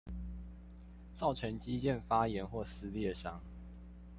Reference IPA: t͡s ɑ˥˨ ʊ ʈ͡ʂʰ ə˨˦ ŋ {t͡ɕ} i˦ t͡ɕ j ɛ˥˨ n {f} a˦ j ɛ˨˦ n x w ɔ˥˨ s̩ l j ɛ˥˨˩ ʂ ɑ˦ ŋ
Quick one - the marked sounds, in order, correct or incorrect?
correct, correct

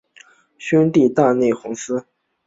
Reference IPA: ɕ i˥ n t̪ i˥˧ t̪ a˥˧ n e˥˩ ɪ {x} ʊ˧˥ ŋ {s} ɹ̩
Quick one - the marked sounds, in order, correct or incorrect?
correct, correct

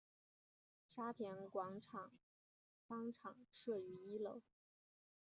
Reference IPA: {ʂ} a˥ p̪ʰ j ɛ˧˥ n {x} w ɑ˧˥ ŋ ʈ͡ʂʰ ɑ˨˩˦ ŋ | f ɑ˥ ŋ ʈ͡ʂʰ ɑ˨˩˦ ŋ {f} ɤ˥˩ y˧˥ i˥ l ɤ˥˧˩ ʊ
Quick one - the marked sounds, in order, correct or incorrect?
correct, incorrect: k, incorrect: ʂ

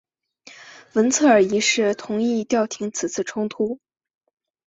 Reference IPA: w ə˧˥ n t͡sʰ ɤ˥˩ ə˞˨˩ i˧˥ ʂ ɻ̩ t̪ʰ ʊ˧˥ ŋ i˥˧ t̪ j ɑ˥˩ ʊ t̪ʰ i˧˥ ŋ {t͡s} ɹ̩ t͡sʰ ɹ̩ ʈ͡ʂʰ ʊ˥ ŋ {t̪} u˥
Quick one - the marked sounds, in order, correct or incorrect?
incorrect: t͡sʰ, incorrect: t̪ʰ

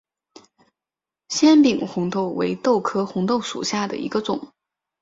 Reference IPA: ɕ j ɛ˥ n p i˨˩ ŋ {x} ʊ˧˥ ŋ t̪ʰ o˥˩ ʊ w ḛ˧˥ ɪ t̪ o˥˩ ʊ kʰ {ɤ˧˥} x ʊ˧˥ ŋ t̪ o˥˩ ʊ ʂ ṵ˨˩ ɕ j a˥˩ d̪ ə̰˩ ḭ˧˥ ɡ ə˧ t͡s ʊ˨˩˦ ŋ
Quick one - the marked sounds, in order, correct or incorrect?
correct, incorrect: ɤ˥

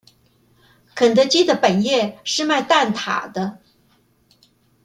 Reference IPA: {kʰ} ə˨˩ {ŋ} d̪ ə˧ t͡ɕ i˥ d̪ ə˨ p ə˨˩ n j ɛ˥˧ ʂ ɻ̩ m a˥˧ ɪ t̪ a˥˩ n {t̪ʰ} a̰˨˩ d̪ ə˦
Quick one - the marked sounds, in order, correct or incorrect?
correct, incorrect: n, correct

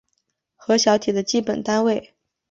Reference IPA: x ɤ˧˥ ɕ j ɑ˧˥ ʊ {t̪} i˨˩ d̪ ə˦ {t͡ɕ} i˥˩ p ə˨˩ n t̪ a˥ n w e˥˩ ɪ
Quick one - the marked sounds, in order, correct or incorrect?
incorrect: t̪ʰ, correct

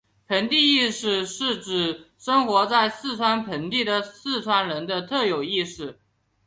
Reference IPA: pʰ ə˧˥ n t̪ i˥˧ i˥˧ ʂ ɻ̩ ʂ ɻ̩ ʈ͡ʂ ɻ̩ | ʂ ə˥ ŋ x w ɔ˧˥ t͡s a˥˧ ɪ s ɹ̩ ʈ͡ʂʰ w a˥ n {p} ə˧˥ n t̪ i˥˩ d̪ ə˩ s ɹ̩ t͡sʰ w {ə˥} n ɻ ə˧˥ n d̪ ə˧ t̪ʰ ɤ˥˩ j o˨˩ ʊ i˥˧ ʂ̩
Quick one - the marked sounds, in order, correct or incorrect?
incorrect: pʰ, incorrect: a˥

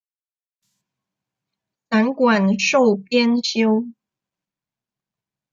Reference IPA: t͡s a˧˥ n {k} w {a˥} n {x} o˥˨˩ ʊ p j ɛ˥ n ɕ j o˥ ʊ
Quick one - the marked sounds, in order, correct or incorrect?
correct, incorrect: a˨˩, incorrect: ʂ

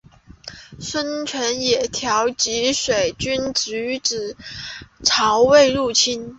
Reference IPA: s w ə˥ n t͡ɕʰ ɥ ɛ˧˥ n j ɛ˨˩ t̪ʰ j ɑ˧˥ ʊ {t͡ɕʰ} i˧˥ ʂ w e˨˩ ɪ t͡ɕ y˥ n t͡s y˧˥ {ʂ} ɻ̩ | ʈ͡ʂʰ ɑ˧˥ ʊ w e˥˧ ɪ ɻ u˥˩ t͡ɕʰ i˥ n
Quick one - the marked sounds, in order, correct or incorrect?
incorrect: t͡ɕ, incorrect: ʈ͡ʂ

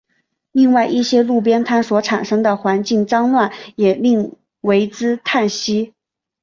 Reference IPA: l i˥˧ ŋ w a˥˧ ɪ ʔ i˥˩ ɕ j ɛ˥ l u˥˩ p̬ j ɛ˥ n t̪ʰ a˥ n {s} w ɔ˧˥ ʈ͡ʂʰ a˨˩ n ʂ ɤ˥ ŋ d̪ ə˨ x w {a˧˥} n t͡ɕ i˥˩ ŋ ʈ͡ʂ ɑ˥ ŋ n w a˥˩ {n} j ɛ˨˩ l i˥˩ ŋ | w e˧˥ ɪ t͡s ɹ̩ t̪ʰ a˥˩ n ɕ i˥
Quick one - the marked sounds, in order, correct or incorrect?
correct, correct, correct

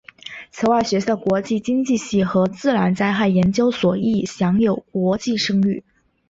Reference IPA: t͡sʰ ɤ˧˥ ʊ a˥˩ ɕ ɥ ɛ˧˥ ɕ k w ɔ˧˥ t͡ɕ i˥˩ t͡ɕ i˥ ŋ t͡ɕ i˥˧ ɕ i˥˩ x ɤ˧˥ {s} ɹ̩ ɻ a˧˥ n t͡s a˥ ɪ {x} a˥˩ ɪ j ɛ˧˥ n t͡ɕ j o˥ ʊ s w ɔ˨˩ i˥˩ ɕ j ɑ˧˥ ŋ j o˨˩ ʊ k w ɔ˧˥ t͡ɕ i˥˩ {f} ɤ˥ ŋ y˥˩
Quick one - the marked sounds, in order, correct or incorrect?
incorrect: t͡s, correct, incorrect: ʂ

